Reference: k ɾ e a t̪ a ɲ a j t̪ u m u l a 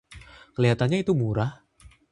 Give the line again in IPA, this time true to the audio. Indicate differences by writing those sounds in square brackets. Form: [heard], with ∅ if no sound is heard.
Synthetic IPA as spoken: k [l] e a t̪ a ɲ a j t̪ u m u [ɾ] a